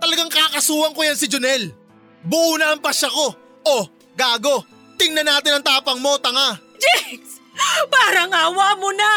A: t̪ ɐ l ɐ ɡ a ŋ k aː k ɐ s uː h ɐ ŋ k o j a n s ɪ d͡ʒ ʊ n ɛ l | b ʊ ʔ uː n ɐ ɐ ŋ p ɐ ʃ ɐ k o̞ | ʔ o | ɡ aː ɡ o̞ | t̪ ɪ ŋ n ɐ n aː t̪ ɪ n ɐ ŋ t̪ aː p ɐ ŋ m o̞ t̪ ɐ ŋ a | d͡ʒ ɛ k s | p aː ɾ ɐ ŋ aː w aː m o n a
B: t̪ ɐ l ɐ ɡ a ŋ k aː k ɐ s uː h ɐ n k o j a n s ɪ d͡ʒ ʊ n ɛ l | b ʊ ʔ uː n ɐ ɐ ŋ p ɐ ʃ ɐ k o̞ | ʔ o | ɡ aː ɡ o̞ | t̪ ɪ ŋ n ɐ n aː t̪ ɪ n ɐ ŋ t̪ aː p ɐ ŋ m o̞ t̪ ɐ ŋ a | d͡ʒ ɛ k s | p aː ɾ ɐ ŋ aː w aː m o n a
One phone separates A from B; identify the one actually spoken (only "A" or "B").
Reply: A